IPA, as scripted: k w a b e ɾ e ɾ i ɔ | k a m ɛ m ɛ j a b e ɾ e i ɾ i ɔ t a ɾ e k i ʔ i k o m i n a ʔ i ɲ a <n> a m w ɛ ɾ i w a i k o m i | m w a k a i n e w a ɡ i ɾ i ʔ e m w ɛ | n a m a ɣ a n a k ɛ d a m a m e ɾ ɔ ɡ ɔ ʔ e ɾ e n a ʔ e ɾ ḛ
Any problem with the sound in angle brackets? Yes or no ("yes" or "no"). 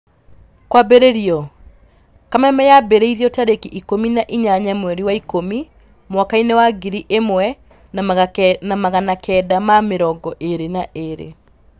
yes